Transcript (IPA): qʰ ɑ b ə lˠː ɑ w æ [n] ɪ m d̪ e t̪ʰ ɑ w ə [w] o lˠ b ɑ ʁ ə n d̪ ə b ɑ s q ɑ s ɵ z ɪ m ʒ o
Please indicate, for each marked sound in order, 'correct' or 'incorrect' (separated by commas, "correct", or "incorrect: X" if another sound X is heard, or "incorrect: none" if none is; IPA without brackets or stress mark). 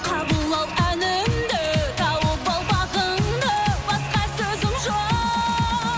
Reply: correct, incorrect: b